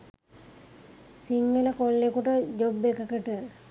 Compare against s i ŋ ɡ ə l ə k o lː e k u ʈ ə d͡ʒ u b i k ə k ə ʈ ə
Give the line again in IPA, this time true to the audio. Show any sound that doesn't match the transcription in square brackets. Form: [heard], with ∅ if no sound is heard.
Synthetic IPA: s i ŋ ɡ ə l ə k o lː e k u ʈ ə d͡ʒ [o] b [e] k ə k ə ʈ ə